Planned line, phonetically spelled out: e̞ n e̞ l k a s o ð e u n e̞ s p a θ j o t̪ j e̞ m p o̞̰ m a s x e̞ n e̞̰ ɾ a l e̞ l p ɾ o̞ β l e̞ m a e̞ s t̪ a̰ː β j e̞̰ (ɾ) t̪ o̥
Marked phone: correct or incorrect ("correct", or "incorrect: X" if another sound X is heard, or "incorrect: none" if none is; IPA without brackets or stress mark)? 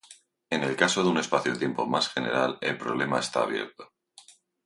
correct